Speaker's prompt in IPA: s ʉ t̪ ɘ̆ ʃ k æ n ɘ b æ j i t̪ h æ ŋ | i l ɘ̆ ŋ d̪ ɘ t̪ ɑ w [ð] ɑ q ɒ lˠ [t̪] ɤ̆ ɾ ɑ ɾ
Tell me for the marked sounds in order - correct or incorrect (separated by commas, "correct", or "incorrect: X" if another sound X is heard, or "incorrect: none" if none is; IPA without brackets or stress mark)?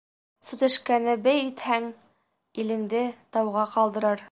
incorrect: ʁ, incorrect: d̪